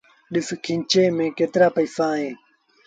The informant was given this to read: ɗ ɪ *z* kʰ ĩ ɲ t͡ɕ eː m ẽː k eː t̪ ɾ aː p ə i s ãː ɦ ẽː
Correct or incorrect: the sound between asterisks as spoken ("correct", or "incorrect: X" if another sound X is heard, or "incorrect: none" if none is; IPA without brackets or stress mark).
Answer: incorrect: s